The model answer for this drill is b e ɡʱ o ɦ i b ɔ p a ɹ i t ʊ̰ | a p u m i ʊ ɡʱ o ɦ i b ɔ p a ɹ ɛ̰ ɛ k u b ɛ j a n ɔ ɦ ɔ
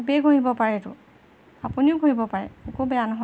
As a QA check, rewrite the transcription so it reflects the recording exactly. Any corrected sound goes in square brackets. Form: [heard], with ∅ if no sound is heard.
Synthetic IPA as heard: b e ɡʱ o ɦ i b ɔ p a ɹ [ɛ] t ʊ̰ | a p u [n] i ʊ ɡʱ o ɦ i b ɔ p a ɹ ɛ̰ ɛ k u b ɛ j a n ɔ ɦ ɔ